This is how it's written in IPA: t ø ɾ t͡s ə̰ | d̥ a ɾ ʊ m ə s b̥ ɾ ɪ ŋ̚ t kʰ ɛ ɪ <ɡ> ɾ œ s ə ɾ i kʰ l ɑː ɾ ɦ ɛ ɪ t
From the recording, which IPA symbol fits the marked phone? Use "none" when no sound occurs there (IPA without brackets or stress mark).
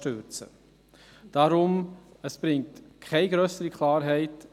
ɡ